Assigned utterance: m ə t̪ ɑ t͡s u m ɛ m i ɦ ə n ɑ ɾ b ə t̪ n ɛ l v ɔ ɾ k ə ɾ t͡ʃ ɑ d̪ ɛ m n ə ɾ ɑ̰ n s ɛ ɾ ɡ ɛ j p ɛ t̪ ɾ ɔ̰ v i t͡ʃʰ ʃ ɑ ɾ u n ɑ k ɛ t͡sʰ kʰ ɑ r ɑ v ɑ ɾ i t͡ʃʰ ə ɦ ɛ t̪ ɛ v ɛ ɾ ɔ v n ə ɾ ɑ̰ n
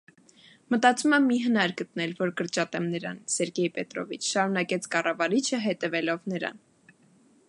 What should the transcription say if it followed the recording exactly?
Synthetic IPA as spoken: m ə t̪ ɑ t͡s u m ɛ m i ɦ ə n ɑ ɾ ɡ ə t̪ n ɛ l v ɔ ɾ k ə ɾ t͡ʃ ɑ t̪ ɛ m n ə ɾ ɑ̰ n s ɛ ɾ ɡ ɛ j p ɛ t̪ ɾ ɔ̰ v i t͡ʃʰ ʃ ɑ ɾ u n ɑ k ɛ t͡sʰ k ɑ r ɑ v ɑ ɾ i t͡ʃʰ ə ɦ ɛ t̪ ɛ v ɛ l ɔ v n ə ɾ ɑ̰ n

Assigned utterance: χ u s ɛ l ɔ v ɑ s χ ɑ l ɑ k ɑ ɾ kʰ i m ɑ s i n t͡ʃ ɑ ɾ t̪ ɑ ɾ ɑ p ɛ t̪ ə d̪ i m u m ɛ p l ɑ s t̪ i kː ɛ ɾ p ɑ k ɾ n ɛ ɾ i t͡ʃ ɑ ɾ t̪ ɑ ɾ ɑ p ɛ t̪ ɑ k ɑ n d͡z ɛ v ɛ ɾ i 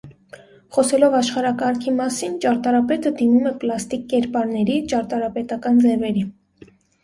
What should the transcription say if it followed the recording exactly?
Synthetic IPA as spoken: χ ɔ s ɛ l ɔ v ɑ ʃ χ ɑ ɾ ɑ k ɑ ɾ kʰ i m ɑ s i n t͡ʃ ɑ ɾ t̪ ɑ ɾ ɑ p ɛ t̪ ə d̪ i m u m ɛ p l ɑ s t̪ i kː ɛ ɾ p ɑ ɾ n ɛ ɾ i t͡ʃ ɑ ɾ t̪ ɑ ɾ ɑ p ɛ t̪ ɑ k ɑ n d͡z ɛ v ɛ ɾ i

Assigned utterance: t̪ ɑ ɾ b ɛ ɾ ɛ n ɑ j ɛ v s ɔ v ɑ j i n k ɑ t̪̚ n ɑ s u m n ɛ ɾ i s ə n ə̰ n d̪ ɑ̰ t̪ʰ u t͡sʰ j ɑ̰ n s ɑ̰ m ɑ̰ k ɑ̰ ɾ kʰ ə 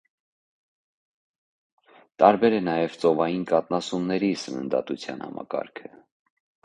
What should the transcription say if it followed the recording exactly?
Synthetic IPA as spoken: t̪ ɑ ɾ b ɛ ɾ ɛ n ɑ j ɛ v t͡s ɔ v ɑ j i n k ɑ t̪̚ n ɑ s u m n ɛ ɾ i s ə n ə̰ n d̪ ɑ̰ t̪ u t͡sʰ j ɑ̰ n h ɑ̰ m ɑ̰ k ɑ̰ ɾ kʰ ə

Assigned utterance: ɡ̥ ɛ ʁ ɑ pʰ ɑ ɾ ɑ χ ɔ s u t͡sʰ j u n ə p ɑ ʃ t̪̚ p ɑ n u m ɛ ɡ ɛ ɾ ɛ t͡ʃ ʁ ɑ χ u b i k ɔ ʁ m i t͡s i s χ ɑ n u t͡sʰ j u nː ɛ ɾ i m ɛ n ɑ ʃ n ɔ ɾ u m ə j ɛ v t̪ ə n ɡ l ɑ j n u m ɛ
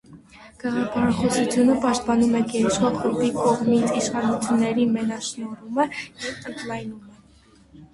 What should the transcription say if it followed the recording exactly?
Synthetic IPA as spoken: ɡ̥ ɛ ʁ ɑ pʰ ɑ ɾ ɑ χ ɔ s u t͡sʰ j u n ə p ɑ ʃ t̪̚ p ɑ n u m ɛ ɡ ɛ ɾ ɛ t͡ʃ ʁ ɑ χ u b i k ɔ ʁ m i t͡sʰ i ʃ χ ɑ n u t͡sʰ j u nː ɛ ɾ i m ɛ n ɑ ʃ n ɔ ɾ u m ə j ɛ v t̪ ə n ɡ l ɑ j n u m ɛ

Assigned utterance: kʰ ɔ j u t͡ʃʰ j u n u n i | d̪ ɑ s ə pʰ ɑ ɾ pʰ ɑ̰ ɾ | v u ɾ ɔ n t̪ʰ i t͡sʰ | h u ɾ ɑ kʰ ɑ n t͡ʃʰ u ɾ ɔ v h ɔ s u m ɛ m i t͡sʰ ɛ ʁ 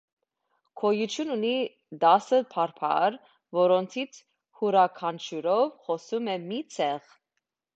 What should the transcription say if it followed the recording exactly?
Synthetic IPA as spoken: kʰ ɔ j u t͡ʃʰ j u n u n i | d̪ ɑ s ə pʰ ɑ ɾ pʰ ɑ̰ ɾ | v ɔ ɾ ɔ n t̪ʰ i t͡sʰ | h u ɾ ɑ kʰ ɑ n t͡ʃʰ u ɾ ɔ v χ ɔ s u m ɛ m i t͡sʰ ɛ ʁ

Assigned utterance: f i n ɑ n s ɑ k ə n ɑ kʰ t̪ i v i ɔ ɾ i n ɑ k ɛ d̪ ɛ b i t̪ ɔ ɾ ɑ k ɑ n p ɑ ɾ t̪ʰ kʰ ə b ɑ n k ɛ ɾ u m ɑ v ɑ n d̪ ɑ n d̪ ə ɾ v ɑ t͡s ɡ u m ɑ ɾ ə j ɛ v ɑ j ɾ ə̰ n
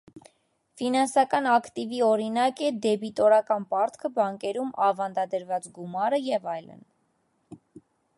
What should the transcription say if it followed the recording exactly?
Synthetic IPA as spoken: f i n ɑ n s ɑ k ɑ n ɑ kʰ t̪ i v i ɔ ɾ i n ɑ k ɛ d̪ ɛ b i t̪ ɔ ɾ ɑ k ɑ n p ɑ ɾ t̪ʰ kʰ ə b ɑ ŋ k ɛ ɾ u m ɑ v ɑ n d̪ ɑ d̪ ə ɾ v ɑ t͡s ɡ u m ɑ ɾ ə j ɛ v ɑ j l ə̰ n

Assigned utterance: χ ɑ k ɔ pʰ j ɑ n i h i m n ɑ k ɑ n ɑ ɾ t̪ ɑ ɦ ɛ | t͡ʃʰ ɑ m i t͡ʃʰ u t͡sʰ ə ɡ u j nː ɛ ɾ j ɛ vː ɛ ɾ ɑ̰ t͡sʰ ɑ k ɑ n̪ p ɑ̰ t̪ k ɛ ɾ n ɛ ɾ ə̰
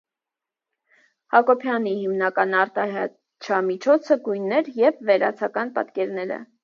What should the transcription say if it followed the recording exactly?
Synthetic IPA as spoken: h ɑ k ɔ pʰ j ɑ n i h i m n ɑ k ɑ n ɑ ɾ t̪ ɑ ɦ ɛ | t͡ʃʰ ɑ m i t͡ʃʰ ɔ t͡sʰ ə ɡ u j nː ɛ ɾ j ɛ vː ɛ ɾ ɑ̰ t͡sʰ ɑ k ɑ n̪ p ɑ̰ t̪ k ɛ ɾ n ɛ ɾ ə̰

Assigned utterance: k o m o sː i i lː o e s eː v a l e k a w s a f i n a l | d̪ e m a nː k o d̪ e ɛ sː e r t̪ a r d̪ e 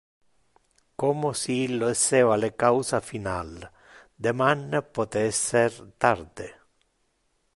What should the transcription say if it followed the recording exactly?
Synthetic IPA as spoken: k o m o s i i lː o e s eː v a l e k a w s a f i n a l | d̪ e m a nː p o t̪ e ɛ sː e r t̪ a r d̪ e

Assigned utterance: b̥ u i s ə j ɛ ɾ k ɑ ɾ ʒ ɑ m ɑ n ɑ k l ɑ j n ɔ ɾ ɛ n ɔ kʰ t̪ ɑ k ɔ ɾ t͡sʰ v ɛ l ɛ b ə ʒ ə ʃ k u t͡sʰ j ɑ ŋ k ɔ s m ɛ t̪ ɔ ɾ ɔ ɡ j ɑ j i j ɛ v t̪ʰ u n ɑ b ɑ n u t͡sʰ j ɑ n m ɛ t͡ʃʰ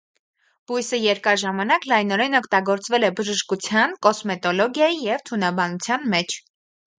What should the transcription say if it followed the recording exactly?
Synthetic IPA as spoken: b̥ u j s ə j ɛ ɾ k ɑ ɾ ʒ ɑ m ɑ n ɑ k l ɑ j n ɔ ɾ ɛ n ɔ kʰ t̪ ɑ ɡ ɔ ɾ t͡s v ɛ l ɛ b ə ʒ ə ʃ k u t͡sʰ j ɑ n k ɔ s m ɛ t̪ ɔ l ɔ ɡ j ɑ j i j ɛ v t̪ʰ u n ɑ b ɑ n u t͡sʰ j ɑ n m ɛ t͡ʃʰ

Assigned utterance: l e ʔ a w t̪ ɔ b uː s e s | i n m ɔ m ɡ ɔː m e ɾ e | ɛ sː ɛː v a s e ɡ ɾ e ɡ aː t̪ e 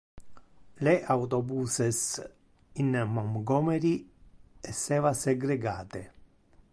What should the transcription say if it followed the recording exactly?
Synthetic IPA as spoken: l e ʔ a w t̪ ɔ b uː s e s | i n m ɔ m ɡ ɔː m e ɾ i | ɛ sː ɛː v a s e ɡ ɾ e ɡ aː t̪ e

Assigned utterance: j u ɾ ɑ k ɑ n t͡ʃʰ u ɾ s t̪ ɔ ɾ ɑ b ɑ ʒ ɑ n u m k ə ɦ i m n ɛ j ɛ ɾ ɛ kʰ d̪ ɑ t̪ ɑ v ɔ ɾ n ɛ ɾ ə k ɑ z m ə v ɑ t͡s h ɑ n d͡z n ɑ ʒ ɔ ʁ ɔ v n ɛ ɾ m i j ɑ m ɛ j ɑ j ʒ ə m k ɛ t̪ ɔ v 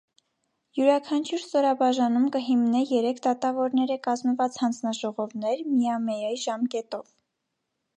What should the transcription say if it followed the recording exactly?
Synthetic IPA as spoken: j u ɾ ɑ kʰ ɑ n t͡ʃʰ u ɾ s t̪ ɔ ɾ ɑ b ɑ ʒ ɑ n u m k ə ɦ i m n ɛ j ɛ ɾ ɛ kʰ d̪ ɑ t̪ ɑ v ɔ ɾ n ɛ ɾ ə k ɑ z m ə v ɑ t͡s h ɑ n d͡z n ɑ ʒ ɔ ʁ ɔ v n ɛ ɾ m i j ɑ m ɛ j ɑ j ʒ ɑ m k ɛ t̪ ɔ v

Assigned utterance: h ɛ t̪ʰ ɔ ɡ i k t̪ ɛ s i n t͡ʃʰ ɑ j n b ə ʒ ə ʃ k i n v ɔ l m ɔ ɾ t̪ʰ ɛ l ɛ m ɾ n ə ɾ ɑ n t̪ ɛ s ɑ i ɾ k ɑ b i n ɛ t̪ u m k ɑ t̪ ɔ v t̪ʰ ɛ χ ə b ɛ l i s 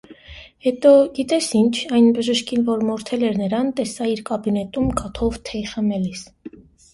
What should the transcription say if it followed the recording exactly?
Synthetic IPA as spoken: h ɛ t̪ ɔ ɡ i t̪ ɛ s i n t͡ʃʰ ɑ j n b ə ʒ ə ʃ k i n v ɔ ɾ m ɔ ɾ t̪ʰ ɛ l ɛ ɾ n ə ɾ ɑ n t̪ ɛ s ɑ i ɾ k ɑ b i n ɛ t̪ u m k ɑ t̪ʰ ɔ v t̪ʰ ɛ χ ə m ɛ l i s

